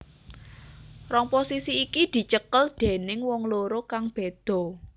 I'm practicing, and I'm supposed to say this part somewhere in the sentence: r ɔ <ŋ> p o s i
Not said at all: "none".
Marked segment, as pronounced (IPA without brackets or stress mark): ŋ